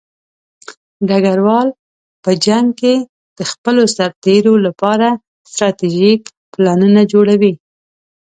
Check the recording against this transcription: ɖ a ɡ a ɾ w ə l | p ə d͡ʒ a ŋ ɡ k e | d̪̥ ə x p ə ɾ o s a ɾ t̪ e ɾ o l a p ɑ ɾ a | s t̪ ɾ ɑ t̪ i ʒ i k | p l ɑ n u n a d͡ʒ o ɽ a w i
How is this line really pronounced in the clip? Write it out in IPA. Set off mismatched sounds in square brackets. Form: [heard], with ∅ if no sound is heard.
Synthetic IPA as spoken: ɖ a ɡ a ɾ w [ɑ] l | p ə d͡ʒ a ŋ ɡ k e | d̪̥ ə x p ə [l] o s a ɾ t̪ e ɾ o l a p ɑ ɾ a | s t̪ ɾ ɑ t̪ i ʒ i k | p l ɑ n u n a d͡ʒ o ɽ a w i